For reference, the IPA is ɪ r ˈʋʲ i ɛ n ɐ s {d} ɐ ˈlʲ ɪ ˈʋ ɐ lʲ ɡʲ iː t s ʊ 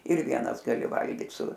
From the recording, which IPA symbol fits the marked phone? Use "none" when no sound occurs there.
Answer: ɡ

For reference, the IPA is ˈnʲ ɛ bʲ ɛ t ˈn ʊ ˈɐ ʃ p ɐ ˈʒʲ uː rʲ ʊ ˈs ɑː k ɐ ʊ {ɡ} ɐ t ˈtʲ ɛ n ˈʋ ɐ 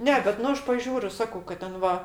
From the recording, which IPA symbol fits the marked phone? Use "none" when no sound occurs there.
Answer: k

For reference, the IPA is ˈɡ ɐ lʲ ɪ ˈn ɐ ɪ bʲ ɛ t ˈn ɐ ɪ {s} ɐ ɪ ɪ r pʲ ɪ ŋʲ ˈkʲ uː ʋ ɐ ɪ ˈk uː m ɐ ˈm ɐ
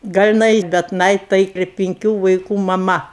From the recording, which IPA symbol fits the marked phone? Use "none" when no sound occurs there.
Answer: t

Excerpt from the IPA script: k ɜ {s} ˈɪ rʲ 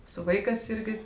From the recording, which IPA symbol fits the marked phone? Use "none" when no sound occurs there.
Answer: s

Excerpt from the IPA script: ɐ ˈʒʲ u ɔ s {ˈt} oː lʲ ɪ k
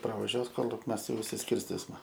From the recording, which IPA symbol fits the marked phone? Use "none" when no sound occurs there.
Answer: k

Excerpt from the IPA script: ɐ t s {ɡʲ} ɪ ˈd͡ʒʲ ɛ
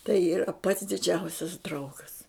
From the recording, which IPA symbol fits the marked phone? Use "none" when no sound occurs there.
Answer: dʲ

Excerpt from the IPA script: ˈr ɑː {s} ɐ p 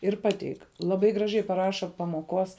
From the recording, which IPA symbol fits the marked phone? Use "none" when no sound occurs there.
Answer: ʃ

